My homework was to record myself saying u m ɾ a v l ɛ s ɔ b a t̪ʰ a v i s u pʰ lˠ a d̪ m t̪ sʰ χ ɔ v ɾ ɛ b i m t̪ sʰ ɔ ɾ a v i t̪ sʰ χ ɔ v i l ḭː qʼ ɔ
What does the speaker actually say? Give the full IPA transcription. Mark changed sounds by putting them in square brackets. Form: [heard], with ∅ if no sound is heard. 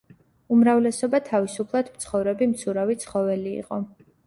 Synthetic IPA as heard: u m ɾ a v l ɛ s ɔ b a t̪ʰ a v i s u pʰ lˠ a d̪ m t̪ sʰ χ ɔ v ɾ ɛ b i m t̪ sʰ [u] ɾ a v i t̪ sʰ χ ɔ v [ɛ] l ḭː qʼ ɔ